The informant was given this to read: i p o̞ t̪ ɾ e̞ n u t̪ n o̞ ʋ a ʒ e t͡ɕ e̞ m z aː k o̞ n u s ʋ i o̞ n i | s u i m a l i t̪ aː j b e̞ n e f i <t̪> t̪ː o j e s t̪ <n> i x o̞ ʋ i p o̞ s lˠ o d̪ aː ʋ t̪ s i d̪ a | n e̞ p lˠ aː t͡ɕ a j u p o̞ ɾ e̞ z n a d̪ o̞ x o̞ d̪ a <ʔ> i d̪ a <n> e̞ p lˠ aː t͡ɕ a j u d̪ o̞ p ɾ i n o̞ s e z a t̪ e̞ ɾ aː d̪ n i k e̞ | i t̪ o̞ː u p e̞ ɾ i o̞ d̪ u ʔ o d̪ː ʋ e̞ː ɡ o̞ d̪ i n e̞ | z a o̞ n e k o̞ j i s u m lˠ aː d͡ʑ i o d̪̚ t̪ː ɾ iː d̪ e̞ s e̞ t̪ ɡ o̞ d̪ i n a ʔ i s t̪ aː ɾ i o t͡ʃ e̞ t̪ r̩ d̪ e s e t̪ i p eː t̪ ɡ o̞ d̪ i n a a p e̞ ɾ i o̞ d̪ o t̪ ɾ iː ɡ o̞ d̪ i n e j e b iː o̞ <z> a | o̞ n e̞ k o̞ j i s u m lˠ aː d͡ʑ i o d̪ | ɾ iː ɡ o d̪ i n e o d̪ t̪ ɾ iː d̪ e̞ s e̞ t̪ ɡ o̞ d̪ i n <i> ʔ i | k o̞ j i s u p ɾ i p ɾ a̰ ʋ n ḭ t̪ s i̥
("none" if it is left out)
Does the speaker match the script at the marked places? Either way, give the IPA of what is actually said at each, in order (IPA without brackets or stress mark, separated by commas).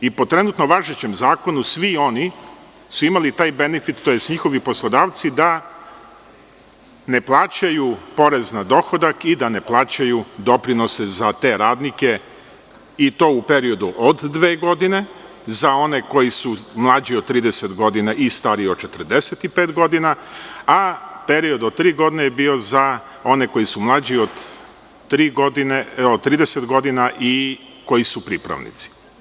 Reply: t̪, ɲ, k, n, z, a